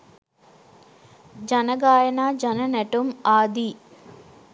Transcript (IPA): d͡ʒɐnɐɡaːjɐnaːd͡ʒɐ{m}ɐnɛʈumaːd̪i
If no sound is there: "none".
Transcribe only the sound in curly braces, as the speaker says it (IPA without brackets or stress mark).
n